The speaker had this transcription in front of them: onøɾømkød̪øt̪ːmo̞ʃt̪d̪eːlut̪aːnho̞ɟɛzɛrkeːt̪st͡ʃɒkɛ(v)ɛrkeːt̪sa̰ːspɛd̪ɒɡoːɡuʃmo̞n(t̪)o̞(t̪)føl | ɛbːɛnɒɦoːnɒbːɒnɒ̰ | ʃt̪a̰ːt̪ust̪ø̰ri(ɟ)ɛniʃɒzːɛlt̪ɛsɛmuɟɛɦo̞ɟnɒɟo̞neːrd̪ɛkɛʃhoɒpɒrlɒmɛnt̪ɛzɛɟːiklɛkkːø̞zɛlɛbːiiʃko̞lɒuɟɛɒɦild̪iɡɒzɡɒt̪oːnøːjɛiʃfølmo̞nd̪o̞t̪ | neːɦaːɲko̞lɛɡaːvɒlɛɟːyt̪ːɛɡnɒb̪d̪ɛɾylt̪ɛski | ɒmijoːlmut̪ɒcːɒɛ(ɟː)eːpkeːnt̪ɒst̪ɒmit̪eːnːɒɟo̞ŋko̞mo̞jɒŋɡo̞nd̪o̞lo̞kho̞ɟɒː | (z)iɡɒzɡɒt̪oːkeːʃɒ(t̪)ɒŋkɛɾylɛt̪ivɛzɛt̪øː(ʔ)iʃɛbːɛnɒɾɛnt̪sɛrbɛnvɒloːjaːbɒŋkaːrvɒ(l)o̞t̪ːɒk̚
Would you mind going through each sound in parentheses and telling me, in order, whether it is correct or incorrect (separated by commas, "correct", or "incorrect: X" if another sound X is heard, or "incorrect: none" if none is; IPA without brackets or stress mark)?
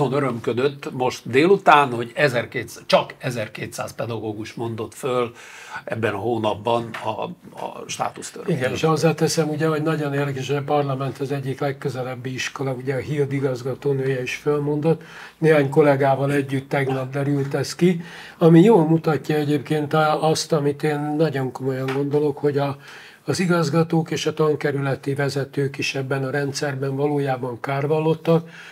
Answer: incorrect: z, incorrect: d̪, correct, incorrect: ɡ, incorrect: ɟ, correct, correct, incorrect: k, incorrect: lː